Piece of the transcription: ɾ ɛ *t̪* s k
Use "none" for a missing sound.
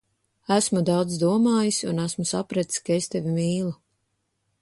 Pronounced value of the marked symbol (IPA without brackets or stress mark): t̪